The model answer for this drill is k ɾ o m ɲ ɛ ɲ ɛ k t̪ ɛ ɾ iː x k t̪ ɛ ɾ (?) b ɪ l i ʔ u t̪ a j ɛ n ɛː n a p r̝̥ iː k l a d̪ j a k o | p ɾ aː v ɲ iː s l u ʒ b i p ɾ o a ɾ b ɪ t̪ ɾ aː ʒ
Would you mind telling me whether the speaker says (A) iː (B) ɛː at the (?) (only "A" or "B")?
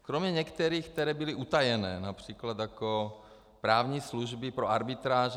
B